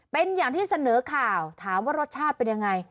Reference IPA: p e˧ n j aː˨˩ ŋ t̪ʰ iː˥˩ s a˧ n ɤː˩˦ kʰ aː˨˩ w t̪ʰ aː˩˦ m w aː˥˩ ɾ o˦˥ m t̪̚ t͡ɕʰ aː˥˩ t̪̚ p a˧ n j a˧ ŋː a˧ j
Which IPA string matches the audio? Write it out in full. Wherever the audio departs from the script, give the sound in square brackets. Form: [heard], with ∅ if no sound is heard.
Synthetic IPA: p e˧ n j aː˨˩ ŋ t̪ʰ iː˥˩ s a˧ n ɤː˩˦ kʰ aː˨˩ w t̪ʰ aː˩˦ m w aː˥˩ ɾ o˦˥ [∅] t̪̚ t͡ɕʰ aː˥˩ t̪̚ p [e˧] n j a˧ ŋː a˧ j